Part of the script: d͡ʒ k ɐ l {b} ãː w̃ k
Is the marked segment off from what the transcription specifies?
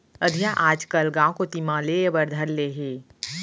yes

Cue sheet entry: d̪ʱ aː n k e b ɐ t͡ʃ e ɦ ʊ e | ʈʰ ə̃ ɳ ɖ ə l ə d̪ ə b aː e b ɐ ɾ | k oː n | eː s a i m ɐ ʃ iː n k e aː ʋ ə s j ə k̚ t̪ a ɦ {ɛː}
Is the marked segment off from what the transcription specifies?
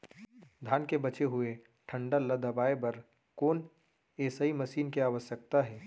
no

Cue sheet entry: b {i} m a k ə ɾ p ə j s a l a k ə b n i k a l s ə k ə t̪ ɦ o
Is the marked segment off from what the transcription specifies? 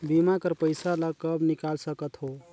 no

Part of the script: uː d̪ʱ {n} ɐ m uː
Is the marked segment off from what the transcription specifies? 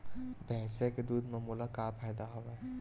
yes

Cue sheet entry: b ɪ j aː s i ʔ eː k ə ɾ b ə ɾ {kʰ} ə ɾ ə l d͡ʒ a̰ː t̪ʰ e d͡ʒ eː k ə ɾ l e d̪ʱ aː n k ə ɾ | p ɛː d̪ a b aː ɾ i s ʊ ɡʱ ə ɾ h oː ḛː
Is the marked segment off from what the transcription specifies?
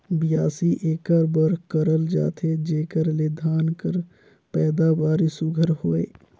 yes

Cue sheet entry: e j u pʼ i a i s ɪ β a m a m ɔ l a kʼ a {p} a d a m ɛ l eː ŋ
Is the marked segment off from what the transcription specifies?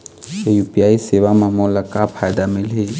yes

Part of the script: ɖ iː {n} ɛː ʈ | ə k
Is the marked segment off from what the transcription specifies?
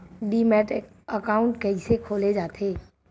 yes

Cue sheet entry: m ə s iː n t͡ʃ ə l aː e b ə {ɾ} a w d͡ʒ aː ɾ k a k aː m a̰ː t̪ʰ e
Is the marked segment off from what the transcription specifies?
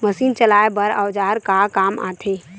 no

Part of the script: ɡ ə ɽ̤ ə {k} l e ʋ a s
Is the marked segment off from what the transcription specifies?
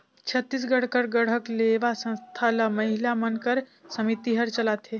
no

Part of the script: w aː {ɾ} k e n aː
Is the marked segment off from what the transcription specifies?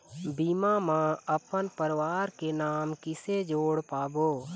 no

